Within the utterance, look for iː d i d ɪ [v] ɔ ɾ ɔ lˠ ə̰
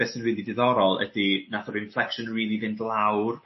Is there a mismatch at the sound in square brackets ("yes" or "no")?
yes